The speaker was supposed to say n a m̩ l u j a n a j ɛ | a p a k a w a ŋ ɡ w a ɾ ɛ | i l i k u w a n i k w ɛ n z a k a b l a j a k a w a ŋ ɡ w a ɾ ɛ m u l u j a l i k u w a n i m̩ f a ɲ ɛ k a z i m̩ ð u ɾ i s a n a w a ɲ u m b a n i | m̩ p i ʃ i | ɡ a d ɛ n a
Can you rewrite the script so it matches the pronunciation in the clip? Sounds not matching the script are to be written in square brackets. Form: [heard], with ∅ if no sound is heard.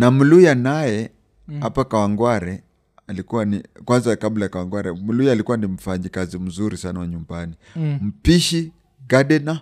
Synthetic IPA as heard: n a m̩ l u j a n a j ɛ | a p a k a w a ŋ ɡ w a ɾ ɛ | [a] l i k u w a n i k w [a] n z a k a b l a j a k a w a ŋ ɡ w a ɾ ɛ m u l u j a l i k u w a n i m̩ f a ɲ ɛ k a z i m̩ [z] u ɾ i s a n a w a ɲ u m b a n i | m̩ p i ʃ i | ɡ a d ɛ n a